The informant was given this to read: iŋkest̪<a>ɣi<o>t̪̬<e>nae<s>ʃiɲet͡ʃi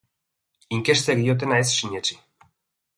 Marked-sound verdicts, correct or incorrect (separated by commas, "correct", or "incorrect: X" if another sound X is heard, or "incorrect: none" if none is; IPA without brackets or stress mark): incorrect: e, correct, correct, correct